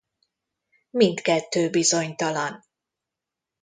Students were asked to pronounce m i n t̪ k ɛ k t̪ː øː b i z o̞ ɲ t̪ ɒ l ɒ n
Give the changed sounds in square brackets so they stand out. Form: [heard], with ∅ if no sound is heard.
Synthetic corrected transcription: m i n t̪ k ɛ [∅] t̪ː øː b i z o̞ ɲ t̪ ɒ l ɒ n

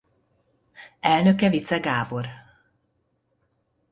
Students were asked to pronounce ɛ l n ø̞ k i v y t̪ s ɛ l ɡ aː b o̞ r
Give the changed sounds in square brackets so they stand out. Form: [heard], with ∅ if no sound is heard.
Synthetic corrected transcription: ɛ l n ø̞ k [ɛ] v [i] t̪ s ɛ [∅] ɡ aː b o̞ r

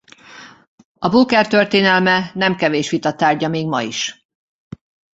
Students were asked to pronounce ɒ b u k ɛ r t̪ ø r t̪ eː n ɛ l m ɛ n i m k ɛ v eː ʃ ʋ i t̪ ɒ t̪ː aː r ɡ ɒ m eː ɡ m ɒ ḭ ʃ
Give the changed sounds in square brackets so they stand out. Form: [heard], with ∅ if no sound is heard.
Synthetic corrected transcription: ɒ b u k ɛ r t̪ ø r t̪ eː n ɛ l m ɛ n [ɛ] m k ɛ v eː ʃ ʋ i t̪ ɒ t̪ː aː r [ɟ] ɒ m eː ɡ m ɒ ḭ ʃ

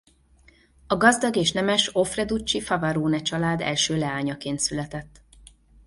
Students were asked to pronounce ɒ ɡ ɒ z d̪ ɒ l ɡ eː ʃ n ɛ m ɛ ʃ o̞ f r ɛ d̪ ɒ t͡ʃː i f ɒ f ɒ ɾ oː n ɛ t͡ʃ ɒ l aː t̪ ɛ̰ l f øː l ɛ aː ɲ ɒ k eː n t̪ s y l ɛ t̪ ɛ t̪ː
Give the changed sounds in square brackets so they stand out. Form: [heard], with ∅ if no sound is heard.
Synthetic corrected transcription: ɒ ɡ ɒ z d̪ ɒ [∅] ɡ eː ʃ n ɛ m ɛ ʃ o̞ f r ɛ d̪ [u] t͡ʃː i f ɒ [v] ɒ ɾ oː n ɛ t͡ʃ ɒ l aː [d̪] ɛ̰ l [ʃ] øː l ɛ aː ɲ ɒ k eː n t̪ s y l ɛ t̪ ɛ t̪ː

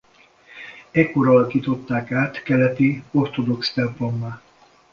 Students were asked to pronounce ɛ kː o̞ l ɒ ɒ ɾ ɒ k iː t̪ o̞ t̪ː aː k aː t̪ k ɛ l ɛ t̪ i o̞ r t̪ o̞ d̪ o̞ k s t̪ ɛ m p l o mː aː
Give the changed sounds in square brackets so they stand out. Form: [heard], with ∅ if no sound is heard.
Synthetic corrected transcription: ɛ kː o̞ [ɾ] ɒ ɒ [l] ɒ k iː t̪ o̞ t̪ː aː k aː t̪ k ɛ l ɛ t̪ i o̞ r t̪ o̞ d̪ o̞ k s t̪ ɛ m p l o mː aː

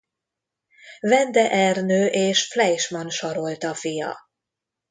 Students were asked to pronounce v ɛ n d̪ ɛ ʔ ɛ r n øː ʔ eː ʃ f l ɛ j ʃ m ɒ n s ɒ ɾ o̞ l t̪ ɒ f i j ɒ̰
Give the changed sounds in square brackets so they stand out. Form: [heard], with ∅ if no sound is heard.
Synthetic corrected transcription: v ɛ n d̪ ɛ ʔ ɛ r n øː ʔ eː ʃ f l ɛ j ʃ m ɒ n [ʃ] ɒ ɾ o̞ l t̪ ɒ f i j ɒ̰

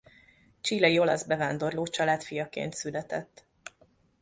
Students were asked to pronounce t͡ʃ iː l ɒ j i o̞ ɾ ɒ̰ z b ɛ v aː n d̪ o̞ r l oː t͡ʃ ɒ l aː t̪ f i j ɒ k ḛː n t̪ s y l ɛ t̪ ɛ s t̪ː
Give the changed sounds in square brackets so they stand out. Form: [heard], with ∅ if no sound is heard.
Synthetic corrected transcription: t͡ʃ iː l ɒ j i o̞ [l] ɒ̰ z b ɛ v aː n d̪ o̞ r l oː t͡ʃ ɒ l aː t̪ f i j ɒ k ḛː n t̪ s y l ɛ t̪ ɛ [∅] t̪ː

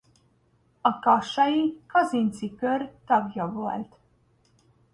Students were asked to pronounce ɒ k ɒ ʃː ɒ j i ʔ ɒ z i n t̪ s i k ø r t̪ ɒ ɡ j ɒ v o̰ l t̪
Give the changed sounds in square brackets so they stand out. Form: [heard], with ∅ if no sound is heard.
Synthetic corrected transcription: ɒ k ɒ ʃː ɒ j i [k] ɒ z i n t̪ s i k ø r t̪ ɒ ɡ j ɒ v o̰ l t̪

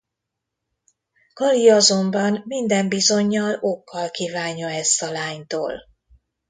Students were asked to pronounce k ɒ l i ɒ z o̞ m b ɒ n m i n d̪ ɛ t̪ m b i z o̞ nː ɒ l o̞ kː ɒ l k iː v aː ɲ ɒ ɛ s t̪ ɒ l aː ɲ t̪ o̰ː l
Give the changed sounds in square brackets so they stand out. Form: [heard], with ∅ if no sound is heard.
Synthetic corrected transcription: k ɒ l i ɒ z o̞ m b ɒ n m i n d̪ ɛ [∅] m b i z o̞ [ɲː] ɒ l o̞ kː ɒ l k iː v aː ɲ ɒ ɛ s t̪ ɒ l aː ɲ t̪ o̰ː l

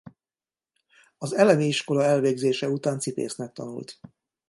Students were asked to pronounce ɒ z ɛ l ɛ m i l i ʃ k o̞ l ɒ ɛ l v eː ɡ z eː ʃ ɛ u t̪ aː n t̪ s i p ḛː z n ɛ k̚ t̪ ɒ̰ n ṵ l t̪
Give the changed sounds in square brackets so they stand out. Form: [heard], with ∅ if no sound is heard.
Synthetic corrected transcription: ɒ z ɛ l ɛ m i [∅] i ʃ k o̞ l ɒ ɛ l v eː ɡ z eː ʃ ɛ u t̪ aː n t̪ s i p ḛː [s] n ɛ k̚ t̪ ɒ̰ n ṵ l t̪

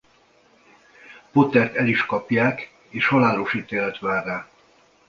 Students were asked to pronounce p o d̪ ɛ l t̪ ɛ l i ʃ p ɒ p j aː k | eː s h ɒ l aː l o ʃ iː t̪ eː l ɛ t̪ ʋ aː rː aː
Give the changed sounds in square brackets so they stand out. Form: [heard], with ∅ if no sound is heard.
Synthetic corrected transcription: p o [t̪] ɛ [r] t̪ ɛ l i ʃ [k] ɒ p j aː k | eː [ʃ] h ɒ l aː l o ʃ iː t̪ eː l ɛ t̪ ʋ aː rː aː

